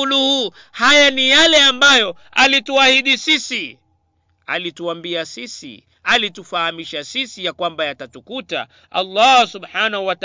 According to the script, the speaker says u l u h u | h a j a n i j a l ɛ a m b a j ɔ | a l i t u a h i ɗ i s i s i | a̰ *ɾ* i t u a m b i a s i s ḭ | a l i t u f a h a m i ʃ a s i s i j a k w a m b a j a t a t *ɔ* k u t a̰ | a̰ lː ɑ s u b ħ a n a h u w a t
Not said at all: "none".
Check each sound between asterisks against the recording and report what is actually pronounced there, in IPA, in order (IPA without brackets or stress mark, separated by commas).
l, u